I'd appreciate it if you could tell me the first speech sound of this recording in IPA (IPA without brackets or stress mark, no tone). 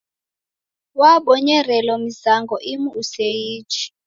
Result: w